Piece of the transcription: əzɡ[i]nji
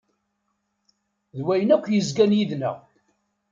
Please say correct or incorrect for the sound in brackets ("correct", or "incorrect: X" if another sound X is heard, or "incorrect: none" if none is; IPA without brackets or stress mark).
incorrect: æ